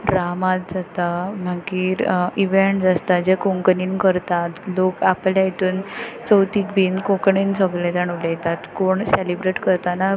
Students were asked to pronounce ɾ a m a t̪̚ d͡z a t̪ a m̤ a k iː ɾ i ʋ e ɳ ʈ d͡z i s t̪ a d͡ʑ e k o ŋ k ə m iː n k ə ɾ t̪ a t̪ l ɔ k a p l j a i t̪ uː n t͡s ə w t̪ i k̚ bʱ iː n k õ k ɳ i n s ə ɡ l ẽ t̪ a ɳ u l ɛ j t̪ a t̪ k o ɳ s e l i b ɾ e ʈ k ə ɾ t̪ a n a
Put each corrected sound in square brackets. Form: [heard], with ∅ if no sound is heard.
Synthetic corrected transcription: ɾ a m a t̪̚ d͡z a t̪ a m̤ a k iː ɾ i ʋ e ɳ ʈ d͡z [a] s t̪ a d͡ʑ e k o ŋ k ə [n] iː n k ə ɾ t̪ a t̪ l [o] k a p l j a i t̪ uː n t͡s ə w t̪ i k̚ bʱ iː n k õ k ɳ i n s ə ɡ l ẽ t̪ a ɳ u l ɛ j t̪ a t̪ k o ɳ s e l i b ɾ e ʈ k ə ɾ t̪ a n a

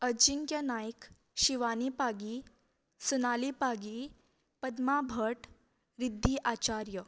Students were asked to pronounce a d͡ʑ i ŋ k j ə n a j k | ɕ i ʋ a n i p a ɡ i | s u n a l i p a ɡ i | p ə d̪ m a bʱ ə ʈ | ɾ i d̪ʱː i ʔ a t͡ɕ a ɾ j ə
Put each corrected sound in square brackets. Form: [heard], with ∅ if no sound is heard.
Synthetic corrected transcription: [ə] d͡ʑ i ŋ k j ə n a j k | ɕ i ʋ a n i p a ɡ i | s u n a l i p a ɡ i | p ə d̪ m a bʱ ə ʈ | ɾ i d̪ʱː i ʔ a t͡ɕ a ɾ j ə

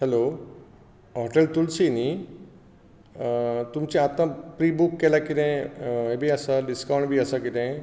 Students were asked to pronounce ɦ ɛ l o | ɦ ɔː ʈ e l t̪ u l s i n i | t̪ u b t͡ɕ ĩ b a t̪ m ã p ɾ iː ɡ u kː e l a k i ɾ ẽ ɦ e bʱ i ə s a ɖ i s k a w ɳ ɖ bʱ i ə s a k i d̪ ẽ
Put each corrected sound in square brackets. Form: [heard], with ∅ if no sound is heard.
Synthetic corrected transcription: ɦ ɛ l o | ɦ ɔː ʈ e l t̪ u l s i n i | t̪ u [m] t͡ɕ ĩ [∅] a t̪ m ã p ɾ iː [b] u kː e l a k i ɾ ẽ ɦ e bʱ i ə s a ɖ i s k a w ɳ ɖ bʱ i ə s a k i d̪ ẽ

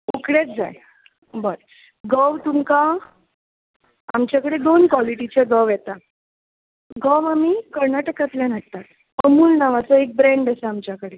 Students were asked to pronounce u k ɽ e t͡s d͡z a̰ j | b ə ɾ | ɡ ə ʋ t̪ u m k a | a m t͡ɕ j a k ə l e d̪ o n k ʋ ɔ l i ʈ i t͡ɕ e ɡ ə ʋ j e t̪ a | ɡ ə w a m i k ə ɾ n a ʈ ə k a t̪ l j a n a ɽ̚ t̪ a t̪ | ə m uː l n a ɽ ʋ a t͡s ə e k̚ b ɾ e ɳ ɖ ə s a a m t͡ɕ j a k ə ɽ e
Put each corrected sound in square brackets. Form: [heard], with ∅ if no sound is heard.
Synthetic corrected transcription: u k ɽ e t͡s d͡z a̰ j | b ə ɾ | ɡ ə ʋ t̪ u m k a | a m t͡ɕ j a k ə [ɽ] e d̪ o n k ʋ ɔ l i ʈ i t͡ɕ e ɡ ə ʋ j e t̪ a | ɡ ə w a m i k ə ɾ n a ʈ ə k a t̪ l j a n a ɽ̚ t̪ a t̪ | ə m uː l n a [∅] ʋ a t͡s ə e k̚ b ɾ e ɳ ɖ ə s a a m t͡ɕ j a k ə ɽ e

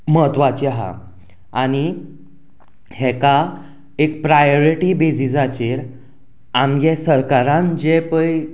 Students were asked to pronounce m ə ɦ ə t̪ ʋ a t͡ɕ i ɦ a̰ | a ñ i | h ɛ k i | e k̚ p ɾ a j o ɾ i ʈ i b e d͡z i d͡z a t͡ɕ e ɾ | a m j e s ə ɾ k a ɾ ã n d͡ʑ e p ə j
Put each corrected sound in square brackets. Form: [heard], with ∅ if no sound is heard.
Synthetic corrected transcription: m ə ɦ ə t̪ ʋ a t͡ɕ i ɦ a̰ | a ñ i | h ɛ k [a] | e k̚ p ɾ a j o ɾ i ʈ i b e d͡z i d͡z a t͡ɕ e ɾ | a m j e s ə ɾ k a ɾ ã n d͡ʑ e p ə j

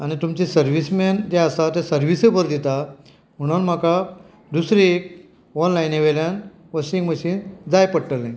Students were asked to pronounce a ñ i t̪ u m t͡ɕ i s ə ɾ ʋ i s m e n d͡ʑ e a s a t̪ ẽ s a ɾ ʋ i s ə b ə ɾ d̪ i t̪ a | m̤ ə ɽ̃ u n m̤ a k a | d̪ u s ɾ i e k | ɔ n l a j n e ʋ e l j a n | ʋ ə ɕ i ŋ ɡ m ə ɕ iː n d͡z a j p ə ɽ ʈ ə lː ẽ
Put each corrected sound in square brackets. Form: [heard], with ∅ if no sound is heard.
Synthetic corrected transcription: a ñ i t̪ u m t͡ɕ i s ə ɾ ʋ i s m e n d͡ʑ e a s a t̪ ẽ s [ə] ɾ ʋ i s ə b ə ɾ d̪ i t̪ a | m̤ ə ɽ̃ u n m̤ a k a | d̪ u s ɾ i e k | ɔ n l a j n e ʋ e l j a n | ʋ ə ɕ i ŋ ɡ m ə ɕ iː n d͡z a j p ə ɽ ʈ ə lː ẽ

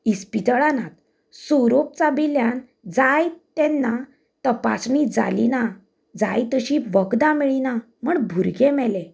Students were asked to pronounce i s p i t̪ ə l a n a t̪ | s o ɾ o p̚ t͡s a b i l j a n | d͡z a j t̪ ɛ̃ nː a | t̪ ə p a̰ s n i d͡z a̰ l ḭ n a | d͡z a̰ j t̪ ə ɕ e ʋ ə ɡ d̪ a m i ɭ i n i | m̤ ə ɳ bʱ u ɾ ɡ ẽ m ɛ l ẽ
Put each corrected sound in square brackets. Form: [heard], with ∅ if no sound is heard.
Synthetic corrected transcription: i s p i t̪ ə [ɭ] a n a t̪ | s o ɾ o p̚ t͡s a b i l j a n | d͡z a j t̪ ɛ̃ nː a | t̪ ə p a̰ s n i d͡z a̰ l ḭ n a | d͡z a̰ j t̪ ə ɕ [i] ʋ ə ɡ d̪ a m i ɭ i n [a] | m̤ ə ɳ bʱ u ɾ ɡ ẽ m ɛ l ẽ

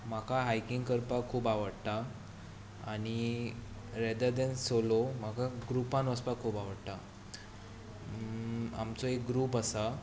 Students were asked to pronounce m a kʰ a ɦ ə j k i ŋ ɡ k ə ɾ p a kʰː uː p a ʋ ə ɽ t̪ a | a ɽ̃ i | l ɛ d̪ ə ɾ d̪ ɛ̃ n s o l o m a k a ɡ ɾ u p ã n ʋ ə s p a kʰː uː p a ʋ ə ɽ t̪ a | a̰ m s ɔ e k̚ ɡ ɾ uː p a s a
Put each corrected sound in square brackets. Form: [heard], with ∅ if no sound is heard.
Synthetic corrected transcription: m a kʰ a ɦ [a] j k i ŋ ɡ k ə ɾ p a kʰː uː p a ʋ ə ɽ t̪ a | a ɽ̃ i | [ɾ] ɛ d̪ ə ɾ d̪ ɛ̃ n s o l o m a k a ɡ ɾ u p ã n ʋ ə s p a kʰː uː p a ʋ ə ɽ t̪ a | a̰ m [t͡s] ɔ e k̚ ɡ ɾ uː p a s a

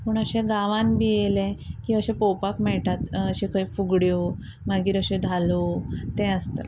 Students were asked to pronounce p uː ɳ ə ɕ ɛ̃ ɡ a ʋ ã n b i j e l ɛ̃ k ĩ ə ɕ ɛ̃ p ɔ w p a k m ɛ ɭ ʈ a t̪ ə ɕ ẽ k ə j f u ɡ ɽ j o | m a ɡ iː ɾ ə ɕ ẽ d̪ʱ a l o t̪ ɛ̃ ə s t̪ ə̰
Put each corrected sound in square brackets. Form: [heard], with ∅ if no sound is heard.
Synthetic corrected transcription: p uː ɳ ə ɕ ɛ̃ ɡ a ʋ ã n b i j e l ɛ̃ k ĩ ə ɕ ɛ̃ p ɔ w p a k m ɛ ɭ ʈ a t̪ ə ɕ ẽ k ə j f u ɡ ɽ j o | m a ɡ iː ɾ ə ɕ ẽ d̪ʱ a l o t̪ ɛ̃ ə s t̪ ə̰

